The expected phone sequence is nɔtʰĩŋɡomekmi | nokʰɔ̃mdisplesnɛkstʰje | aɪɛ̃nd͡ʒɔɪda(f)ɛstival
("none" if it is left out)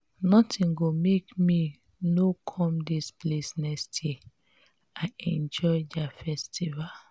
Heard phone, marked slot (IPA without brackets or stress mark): f